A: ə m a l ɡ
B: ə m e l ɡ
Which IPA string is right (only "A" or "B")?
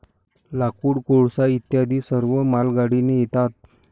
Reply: A